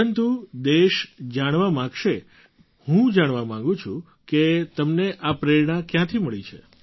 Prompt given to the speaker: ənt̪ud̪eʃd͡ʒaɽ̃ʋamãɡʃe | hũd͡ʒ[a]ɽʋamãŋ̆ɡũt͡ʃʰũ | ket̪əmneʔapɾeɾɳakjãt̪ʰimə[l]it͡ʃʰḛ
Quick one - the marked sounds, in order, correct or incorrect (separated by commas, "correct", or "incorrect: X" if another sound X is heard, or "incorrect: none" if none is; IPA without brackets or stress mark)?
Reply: correct, incorrect: ɭ